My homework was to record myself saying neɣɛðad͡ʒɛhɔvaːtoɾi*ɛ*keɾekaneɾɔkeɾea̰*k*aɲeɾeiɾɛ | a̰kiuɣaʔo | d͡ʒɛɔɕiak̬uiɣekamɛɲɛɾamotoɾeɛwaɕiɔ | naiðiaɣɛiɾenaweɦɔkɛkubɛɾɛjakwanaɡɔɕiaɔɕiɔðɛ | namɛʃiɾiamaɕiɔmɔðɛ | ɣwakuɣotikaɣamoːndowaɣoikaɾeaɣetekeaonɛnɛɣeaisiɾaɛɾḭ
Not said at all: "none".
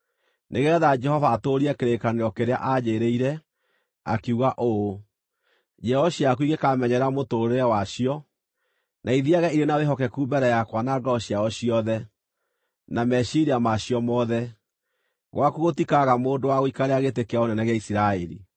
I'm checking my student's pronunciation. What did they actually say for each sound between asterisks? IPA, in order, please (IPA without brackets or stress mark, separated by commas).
ɛ, ʔ